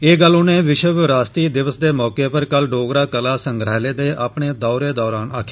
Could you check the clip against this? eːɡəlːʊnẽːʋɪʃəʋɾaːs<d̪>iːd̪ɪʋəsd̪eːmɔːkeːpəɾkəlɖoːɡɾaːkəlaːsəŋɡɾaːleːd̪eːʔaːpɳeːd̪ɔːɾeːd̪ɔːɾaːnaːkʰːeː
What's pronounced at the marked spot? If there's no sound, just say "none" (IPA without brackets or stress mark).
t̪